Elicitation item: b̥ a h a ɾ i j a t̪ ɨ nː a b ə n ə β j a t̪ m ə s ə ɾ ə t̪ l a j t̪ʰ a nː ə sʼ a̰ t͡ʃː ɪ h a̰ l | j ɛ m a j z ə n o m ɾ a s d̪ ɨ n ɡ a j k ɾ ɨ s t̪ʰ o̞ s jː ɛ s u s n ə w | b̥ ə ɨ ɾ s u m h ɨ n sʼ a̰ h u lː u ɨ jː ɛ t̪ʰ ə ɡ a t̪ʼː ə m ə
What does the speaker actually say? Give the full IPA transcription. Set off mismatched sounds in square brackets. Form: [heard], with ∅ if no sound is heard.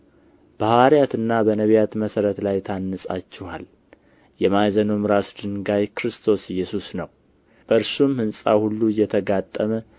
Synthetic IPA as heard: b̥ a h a ɾ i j a t̪ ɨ nː a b ə n ə β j a t̪ m ə s ə ɾ ə t̪ l a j t̪ʰ a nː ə sʼ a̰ t͡ʃː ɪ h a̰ l | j ɛ m a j z ə n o m ɾ a s d̪ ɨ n ɡ a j k ɾ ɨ s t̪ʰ o̞ s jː ɛ s u s n ə w | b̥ ə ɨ ɾ s u m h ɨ n sʼ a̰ h u lː u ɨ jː ɛ t̪ʰ ə ɡ a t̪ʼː ə m ə